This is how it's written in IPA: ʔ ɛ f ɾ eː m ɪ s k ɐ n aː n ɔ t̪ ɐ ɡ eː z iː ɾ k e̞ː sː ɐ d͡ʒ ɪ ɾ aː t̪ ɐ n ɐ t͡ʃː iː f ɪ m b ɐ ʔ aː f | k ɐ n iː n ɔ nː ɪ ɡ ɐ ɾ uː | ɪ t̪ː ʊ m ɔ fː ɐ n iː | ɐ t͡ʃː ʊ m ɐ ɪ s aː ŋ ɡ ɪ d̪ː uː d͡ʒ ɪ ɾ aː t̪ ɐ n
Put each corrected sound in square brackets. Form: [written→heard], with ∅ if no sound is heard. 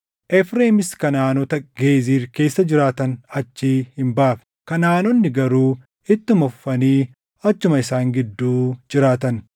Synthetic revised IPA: ʔ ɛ f ɾ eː m ɪ s k ɐ n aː n ɔ t̪ ɐ ɡ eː z iː ɾ k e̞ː sː ɐ d͡ʒ ɪ ɾ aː t̪ ɐ n ɐ t͡ʃː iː [f→h] ɪ m b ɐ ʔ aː f | k ɐ n [iː→aː] n ɔ nː ɪ ɡ ɐ ɾ uː | ɪ t̪ː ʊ m ɔ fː ɐ n iː | ɐ t͡ʃː ʊ m ɐ ɪ s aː ŋ ɡ ɪ d̪ː uː d͡ʒ ɪ ɾ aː t̪ ɐ n